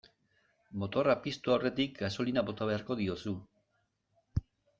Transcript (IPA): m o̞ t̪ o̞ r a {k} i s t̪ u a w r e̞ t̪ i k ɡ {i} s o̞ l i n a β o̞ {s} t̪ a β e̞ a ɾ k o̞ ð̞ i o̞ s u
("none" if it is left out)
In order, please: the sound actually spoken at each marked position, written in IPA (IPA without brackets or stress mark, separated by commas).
p, a, none